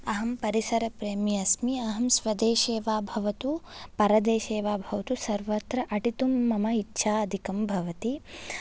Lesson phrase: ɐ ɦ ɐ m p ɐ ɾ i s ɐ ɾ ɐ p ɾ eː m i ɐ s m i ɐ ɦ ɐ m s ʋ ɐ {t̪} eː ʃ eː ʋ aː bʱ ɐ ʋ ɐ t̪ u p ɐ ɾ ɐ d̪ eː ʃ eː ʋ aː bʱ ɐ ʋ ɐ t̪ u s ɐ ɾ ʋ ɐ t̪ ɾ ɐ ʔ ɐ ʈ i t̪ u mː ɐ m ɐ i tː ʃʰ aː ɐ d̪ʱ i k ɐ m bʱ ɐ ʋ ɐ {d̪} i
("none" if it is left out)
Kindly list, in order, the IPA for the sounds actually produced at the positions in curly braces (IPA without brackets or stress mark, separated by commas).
d̪, t̪